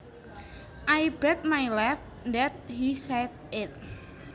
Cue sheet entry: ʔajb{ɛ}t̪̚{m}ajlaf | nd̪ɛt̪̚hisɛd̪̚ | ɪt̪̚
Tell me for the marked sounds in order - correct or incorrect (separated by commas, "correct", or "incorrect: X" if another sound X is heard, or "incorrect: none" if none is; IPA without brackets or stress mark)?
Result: correct, correct